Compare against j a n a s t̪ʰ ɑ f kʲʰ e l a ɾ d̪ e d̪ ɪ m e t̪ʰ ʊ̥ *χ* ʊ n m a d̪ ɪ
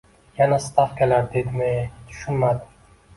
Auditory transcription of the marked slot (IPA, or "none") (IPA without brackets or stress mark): ʃ